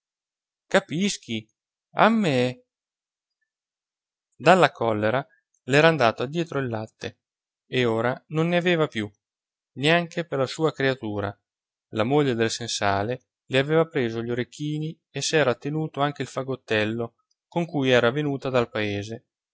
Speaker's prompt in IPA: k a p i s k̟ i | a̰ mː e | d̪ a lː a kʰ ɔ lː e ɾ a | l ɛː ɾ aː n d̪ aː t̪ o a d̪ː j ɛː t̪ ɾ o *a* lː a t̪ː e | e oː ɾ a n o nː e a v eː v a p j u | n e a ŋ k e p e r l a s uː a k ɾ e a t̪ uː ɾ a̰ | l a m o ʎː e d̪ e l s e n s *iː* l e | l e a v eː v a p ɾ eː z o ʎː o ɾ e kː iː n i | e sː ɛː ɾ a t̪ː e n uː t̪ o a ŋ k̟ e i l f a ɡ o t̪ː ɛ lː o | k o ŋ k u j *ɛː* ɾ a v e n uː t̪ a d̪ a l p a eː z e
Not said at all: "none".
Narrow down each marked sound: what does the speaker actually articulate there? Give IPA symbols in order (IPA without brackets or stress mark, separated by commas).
i, aː, ɛː